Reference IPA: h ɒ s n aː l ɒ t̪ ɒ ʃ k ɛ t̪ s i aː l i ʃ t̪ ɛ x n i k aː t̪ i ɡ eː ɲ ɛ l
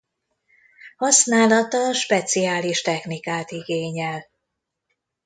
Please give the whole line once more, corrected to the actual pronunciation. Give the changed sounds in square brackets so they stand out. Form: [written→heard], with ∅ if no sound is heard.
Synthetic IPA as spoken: h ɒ s n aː l ɒ t̪ ɒ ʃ [k→p] ɛ t̪ s i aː l i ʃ t̪ ɛ x n i k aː t̪ i ɡ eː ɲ ɛ l